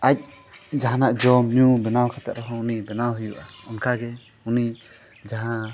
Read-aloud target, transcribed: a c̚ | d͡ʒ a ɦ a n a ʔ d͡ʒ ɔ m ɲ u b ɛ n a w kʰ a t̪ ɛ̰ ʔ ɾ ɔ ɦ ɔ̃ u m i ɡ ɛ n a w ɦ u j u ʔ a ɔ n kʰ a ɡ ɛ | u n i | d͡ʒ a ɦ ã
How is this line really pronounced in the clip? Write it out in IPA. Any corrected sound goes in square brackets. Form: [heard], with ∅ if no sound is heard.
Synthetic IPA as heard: a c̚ | d͡ʒ a ɦ a n a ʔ d͡ʒ ɔ m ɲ u b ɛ n a w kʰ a t̪ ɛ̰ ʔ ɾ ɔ ɦ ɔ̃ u [n] i [b] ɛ n a w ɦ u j u ʔ a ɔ n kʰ a ɡ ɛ | u n i | d͡ʒ a ɦ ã